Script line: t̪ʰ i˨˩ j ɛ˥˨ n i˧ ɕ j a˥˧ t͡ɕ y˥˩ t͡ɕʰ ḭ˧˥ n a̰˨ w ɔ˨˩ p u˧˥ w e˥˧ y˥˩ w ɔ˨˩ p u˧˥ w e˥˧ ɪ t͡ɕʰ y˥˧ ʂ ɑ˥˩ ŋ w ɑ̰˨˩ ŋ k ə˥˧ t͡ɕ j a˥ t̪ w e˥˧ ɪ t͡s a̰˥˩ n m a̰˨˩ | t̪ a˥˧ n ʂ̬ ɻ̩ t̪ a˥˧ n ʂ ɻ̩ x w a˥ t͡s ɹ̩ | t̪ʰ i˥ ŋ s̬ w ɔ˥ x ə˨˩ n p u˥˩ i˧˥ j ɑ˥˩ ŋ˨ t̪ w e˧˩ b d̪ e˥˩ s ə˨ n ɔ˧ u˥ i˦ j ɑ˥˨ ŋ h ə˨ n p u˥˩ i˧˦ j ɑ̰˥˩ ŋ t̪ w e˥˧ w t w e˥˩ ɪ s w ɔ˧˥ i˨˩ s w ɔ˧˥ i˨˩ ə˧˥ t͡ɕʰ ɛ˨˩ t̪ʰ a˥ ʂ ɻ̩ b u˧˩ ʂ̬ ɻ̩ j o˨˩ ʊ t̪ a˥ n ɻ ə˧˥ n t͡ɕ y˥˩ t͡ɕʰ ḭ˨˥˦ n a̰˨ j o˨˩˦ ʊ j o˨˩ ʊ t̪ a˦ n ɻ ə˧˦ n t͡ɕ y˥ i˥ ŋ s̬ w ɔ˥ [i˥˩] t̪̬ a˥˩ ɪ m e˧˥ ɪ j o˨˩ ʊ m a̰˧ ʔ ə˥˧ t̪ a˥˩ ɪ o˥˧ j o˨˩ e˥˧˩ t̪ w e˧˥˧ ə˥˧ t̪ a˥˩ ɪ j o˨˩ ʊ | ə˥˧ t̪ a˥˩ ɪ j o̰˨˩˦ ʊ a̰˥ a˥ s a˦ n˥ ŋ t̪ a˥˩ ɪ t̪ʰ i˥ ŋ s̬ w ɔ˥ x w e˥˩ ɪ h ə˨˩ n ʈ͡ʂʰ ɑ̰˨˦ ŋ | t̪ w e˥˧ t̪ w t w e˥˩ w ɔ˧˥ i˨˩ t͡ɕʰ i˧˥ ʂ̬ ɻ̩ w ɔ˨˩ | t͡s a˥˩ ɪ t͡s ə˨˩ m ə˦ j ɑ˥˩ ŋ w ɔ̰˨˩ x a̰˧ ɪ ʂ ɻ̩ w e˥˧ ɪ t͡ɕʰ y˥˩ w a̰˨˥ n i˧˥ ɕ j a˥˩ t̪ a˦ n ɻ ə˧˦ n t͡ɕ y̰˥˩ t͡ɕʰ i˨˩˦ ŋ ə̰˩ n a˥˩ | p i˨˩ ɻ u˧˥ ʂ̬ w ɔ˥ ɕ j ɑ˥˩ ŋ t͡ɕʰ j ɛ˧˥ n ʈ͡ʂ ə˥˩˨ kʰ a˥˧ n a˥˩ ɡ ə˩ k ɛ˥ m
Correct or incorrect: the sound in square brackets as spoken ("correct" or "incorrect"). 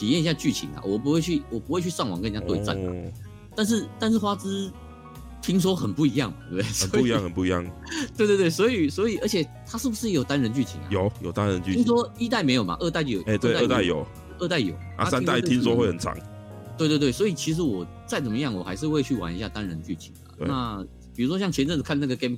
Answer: incorrect